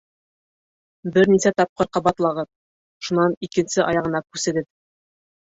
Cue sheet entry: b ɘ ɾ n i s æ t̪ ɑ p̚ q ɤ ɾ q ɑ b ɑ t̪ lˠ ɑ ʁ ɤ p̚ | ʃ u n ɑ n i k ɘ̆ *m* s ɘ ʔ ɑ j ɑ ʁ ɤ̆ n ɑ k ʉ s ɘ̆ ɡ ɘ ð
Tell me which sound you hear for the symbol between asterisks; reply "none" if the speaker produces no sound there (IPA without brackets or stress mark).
n